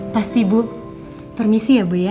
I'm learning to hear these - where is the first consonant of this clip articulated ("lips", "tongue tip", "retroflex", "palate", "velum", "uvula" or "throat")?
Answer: lips